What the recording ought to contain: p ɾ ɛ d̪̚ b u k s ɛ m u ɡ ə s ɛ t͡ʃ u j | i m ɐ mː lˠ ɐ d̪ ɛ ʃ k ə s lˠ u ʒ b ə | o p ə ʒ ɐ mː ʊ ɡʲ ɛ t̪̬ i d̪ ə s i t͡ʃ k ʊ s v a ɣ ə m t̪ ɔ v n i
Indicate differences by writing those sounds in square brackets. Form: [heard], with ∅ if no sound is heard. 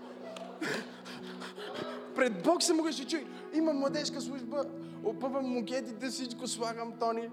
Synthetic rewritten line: p ɾ ɛ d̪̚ b [ɔ] k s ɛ m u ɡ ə [ʃ] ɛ t͡ʃ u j | i m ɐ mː lˠ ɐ d̪ ɛ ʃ k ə s lˠ u ʒ b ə | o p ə [v] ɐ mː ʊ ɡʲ ɛ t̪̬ i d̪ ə s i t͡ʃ k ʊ s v a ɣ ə m t̪ ɔ [∅] n i